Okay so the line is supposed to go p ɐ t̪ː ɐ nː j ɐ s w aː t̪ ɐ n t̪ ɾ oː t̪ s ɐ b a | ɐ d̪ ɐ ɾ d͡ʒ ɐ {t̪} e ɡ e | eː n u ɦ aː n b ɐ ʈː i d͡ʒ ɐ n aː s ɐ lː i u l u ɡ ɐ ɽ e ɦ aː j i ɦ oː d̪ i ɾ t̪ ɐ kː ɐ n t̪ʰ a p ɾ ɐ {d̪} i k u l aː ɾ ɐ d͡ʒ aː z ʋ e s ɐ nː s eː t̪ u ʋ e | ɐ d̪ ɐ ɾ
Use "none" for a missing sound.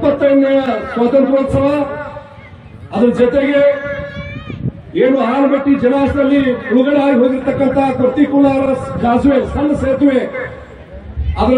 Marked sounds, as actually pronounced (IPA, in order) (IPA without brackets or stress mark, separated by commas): t̪, t̪